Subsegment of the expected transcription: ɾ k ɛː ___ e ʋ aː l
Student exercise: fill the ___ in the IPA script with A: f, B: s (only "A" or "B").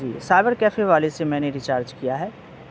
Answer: A